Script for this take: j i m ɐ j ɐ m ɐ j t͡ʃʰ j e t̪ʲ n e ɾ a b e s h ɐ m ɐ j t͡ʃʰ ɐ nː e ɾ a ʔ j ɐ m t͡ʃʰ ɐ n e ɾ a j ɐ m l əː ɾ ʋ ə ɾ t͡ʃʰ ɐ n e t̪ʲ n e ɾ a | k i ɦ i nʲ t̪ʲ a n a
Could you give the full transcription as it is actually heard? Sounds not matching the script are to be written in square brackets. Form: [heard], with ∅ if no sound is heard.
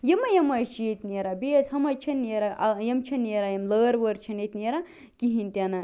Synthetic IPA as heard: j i m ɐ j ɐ m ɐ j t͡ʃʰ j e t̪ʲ n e ɾ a b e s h ɐ m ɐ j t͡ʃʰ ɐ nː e ɾ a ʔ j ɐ m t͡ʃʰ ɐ n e ɾ a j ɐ m l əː ɾ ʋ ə ɾ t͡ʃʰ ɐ n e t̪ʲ n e ɾ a | k i ɦ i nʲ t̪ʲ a n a